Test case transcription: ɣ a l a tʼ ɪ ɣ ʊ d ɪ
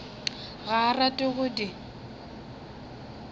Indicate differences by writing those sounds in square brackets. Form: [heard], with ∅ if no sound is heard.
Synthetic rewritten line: ɣ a [r] a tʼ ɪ ɣ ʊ d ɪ